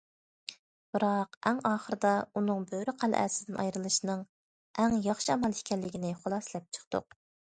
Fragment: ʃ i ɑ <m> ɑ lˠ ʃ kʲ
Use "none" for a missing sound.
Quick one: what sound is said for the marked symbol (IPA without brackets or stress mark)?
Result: m